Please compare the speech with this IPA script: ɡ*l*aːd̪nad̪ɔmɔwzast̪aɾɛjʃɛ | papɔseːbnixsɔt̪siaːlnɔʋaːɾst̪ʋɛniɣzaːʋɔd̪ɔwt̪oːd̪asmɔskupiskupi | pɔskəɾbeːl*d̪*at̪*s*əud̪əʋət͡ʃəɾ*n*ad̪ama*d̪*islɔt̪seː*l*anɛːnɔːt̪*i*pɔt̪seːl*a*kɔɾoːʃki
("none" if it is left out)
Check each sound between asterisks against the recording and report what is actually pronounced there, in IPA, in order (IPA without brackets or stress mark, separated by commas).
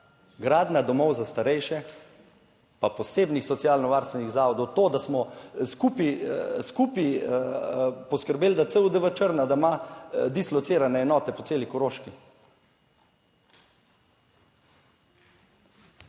ɾ, d̪, s, n, d̪, ɾ, ɛ, i